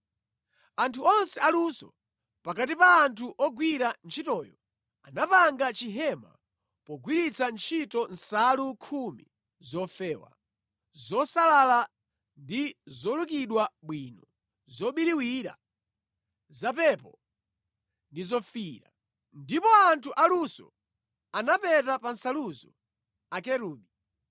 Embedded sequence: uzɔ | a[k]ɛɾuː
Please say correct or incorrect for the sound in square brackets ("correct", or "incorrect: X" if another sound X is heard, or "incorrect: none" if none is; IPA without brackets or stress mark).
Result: correct